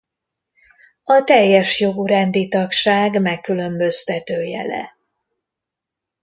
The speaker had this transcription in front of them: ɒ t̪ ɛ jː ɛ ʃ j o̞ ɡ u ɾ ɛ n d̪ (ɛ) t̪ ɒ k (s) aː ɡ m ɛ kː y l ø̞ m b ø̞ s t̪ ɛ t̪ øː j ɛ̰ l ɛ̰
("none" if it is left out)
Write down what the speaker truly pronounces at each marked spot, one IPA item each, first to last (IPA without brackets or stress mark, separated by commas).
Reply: i, ʃ